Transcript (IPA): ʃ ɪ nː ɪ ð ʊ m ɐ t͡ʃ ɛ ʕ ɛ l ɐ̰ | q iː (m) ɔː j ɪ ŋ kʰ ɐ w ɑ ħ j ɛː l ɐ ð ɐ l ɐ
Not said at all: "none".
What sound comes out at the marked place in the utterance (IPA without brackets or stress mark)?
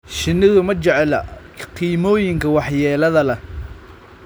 m